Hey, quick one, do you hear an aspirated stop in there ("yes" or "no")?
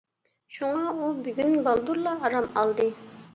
no